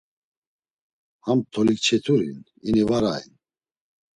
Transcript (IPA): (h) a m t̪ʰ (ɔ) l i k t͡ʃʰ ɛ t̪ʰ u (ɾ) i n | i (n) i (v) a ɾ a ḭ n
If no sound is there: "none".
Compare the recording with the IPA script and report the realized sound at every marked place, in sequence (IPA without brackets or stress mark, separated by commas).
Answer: h, ɔ, ɾ, n, v